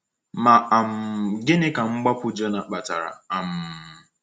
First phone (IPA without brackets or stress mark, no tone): m